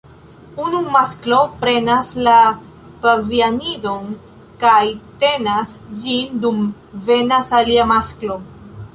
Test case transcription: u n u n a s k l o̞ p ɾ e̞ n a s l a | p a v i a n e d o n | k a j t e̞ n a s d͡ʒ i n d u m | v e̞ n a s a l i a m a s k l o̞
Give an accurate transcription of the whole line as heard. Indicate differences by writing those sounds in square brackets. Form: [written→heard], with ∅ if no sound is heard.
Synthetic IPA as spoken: u n u [n→m] a s k l o̞ p ɾ e̞ n a s l a | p a v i a n [e→i] d o n | k a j t e̞ n a s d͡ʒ i n d u m | v e̞ n a s a l i a m a s k l o̞